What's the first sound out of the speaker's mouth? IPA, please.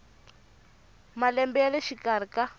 m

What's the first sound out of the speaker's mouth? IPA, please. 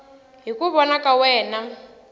ɦ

